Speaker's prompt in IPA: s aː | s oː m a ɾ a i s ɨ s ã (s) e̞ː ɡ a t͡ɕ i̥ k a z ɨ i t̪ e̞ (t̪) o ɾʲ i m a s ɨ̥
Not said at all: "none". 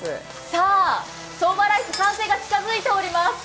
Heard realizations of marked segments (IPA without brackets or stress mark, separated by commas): s, none